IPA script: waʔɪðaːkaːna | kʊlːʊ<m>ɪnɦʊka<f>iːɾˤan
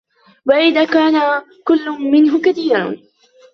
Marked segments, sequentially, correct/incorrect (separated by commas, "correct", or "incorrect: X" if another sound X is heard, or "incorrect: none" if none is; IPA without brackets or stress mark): correct, incorrect: θ